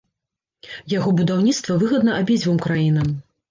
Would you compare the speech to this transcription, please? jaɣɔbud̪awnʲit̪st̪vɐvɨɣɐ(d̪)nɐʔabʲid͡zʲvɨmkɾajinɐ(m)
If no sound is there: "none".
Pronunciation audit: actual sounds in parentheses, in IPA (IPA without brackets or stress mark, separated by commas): d̪, m